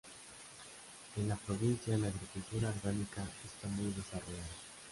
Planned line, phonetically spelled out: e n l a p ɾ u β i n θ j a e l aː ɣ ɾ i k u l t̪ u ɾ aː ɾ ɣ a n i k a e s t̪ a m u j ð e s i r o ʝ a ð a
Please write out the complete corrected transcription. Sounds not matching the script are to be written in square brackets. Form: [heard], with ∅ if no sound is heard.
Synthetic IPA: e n l a p ɾ [o] β i n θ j a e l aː ɣ ɾ i k u l t̪ u ɾ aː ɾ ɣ a n i k a e s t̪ a m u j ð e s [a] r o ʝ a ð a